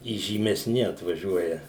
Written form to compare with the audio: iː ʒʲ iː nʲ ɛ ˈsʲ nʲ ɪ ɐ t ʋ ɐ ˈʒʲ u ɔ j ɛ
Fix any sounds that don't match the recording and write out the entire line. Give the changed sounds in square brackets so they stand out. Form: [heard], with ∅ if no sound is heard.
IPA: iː ʒʲ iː [mʲ] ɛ ˈsʲ nʲ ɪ ɐ t ʋ ɐ ˈʒʲ u ɔ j ɛ